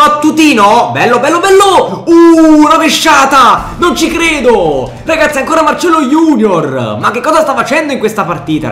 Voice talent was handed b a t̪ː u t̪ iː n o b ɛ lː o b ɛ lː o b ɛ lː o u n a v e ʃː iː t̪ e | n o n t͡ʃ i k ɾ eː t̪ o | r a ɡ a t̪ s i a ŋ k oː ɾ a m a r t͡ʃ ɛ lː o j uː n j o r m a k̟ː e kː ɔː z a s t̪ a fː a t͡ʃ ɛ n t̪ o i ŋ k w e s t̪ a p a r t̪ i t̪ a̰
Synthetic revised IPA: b a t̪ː u t̪ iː n o b ɛ lː o b ɛ lː o b ɛ lː o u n a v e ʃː aː t̪ a | n o n t͡ʃ i k ɾ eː d̪ o | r a ɡ a t̪ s i a ŋ k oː ɾ a m a r t͡ʃ ɛ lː o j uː n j o r m a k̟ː e kː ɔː z a s t̪ a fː a t͡ʃ ɛ n d̪ o i ŋ k w e s t̪ a p a r t̪ iː t̪ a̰